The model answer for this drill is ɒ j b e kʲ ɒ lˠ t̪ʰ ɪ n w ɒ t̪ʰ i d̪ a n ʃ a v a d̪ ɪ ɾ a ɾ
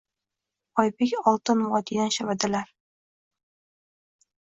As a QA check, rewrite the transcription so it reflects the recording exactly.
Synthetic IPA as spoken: ɒ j b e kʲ ɒ lˠ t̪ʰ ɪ n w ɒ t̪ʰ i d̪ a n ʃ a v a d̪ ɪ l a ɾ